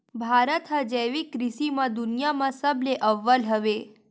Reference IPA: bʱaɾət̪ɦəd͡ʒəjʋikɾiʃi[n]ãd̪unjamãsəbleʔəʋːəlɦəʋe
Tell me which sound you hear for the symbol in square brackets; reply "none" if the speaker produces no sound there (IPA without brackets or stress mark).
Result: m